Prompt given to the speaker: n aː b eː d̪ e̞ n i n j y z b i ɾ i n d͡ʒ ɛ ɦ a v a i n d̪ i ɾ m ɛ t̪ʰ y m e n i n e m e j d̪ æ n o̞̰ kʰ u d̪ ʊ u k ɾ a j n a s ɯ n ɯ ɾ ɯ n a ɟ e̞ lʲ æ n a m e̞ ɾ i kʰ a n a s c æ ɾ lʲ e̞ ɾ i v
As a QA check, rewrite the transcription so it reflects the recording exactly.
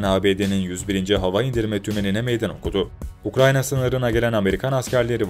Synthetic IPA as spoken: n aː b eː d̪ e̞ n i n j y z b i ɾ i n d͡ʒ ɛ ɦ a v a i n d̪ i ɾ m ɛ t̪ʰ y m e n i n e m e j d̪ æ n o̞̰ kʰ u d̪ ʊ u k ɾ a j n a s ɯ n ɯ ɾ ɯ n a ɟ e̞ lʲ æ n a m e̞ ɾ i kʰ a n a s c æ ɾ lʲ e̞ ɾ i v